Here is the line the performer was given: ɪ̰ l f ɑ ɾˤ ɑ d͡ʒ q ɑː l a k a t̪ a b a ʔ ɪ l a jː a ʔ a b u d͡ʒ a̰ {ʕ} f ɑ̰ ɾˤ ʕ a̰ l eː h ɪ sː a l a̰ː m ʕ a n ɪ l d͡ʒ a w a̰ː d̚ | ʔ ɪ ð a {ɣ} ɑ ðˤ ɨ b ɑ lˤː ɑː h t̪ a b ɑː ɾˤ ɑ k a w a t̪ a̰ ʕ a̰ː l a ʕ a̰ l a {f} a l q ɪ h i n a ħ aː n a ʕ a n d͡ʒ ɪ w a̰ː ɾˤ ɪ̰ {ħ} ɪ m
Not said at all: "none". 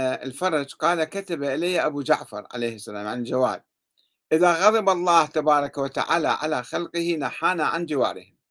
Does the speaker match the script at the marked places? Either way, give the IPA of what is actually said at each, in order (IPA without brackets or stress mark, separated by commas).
ʕ, ɣ, x, h